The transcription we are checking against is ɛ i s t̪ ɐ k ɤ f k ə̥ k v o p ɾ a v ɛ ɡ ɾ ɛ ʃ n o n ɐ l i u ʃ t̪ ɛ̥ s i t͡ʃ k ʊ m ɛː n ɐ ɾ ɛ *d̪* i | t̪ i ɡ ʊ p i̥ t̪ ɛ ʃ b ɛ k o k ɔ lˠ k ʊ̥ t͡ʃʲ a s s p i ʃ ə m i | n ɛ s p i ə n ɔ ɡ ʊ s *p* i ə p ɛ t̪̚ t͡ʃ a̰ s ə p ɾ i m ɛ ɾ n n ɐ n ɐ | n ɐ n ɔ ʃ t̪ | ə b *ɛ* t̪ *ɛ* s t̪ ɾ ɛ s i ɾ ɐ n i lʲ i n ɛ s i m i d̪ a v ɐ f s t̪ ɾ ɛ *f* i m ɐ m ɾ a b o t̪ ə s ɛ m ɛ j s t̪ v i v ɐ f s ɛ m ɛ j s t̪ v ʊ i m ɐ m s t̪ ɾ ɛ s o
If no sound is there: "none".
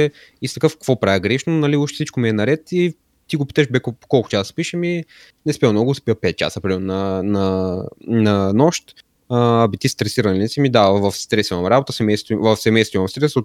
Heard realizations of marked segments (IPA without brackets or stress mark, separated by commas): t̪, p, i, i, s